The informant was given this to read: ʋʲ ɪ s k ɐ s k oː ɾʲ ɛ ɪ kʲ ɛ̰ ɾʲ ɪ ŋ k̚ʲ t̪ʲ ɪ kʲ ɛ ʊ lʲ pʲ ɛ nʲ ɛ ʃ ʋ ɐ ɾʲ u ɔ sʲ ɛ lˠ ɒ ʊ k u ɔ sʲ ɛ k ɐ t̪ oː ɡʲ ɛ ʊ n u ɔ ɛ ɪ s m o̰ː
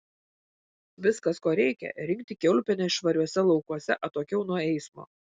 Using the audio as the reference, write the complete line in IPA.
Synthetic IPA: ʋʲ ɪ s k ɐ s k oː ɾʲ ɛ ɪ kʲ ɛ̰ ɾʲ ɪ ŋ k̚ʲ t̪ʲ ɪ kʲ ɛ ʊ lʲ pʲ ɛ nʲ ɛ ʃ ʋ ɐ ɾʲ u ɔ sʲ ɛ lˠ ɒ ʊ k u ɔ sʲ ɛ ʔ ɐ t̪ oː kʲ ɛ ʊ n u ɔ ɛ ɪ s m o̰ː